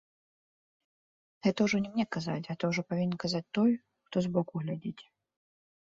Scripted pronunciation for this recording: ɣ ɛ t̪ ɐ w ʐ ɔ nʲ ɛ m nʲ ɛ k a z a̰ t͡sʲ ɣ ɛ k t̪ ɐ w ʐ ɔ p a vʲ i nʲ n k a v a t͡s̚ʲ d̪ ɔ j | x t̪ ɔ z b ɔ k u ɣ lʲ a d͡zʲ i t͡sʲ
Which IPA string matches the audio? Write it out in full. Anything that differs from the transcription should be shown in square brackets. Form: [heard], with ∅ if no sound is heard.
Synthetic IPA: ɣ ɛ t̪ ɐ w ʐ ɔ nʲ ɛ m nʲ ɛ k a z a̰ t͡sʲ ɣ ɛ [∅] t̪ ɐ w ʐ ɔ p a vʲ i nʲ n k a [z] a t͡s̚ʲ [t̪] ɔ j | x t̪ ɔ z b ɔ k u ɣ lʲ a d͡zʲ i t͡sʲ